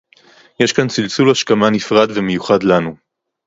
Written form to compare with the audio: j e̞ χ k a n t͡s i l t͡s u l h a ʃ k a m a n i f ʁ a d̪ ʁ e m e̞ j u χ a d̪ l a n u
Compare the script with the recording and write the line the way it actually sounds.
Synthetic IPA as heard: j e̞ ʃ k a n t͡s i l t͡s u l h a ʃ k a m a n i f ʁ a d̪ v e m e̞ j u χ a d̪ l a n u